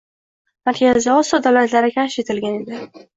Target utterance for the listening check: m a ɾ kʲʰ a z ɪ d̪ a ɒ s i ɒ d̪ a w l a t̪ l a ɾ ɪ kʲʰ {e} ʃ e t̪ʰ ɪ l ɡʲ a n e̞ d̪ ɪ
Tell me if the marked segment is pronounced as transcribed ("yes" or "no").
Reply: no